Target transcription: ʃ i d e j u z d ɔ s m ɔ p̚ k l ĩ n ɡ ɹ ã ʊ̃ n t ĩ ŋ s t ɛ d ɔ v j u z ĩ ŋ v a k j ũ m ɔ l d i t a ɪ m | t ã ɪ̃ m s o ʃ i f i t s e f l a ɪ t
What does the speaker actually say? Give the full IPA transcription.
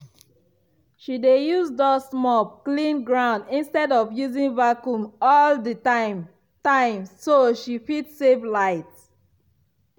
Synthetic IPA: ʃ i d e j u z d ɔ s m ɔ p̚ k l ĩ n ɡ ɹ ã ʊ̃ n d ĩ n s t ɛ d ɔ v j u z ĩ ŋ v a k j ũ m ɔ l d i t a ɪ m | t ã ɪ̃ m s o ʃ i f i t s e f l a ɪ t